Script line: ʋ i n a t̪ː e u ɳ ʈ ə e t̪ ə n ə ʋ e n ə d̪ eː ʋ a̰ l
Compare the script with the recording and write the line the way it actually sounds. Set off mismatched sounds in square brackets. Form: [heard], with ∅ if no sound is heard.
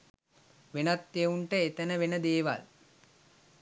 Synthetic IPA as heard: ʋ [e] n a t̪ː e u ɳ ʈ ə e t̪ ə n ə ʋ e n ə d̪ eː ʋ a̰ l